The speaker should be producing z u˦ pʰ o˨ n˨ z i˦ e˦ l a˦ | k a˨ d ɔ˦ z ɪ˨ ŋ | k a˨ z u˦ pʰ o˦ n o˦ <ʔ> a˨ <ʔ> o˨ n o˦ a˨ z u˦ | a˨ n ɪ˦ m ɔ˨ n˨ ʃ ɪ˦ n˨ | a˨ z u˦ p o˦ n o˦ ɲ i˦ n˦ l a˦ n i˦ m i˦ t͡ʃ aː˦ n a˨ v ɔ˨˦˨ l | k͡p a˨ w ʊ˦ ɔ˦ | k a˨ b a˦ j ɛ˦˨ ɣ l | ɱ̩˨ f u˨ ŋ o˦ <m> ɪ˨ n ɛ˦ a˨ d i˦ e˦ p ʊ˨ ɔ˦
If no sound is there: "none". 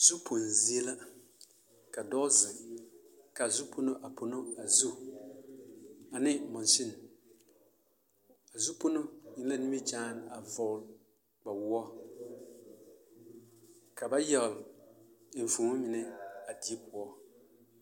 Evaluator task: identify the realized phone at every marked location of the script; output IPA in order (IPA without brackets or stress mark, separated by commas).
ʔ, p, m